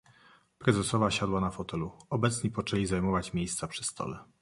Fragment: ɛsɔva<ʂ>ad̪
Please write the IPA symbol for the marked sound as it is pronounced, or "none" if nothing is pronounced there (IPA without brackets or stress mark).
ɕ